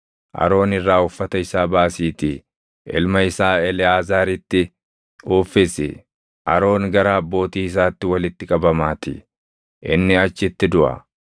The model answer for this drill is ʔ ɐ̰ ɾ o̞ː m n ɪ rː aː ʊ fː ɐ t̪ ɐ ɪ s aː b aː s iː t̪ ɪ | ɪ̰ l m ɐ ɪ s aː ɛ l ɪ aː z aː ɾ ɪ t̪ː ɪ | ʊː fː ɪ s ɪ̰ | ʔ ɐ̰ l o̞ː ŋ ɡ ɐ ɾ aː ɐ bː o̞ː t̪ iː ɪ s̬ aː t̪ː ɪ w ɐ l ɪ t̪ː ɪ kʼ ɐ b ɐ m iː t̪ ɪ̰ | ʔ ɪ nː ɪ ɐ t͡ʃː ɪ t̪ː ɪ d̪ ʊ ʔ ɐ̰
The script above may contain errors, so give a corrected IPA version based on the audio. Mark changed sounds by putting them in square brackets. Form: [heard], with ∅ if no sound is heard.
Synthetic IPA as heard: ʔ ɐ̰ ɾ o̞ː [∅] n ɪ rː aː ʊ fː ɐ t̪ ɐ ɪ s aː b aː s iː t̪ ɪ | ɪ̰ l m ɐ ɪ s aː ɛ l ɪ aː z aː ɾ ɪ t̪ː ɪ | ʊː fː ɪ s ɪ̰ | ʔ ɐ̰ [ɾ] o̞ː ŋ ɡ ɐ ɾ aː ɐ bː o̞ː t̪ iː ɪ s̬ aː t̪ː ɪ w ɐ l ɪ t̪ː ɪ kʼ ɐ b ɐ m [aː] t̪ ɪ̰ | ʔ ɪ nː ɪ ɐ t͡ʃː ɪ t̪ː ɪ d̪ ʊ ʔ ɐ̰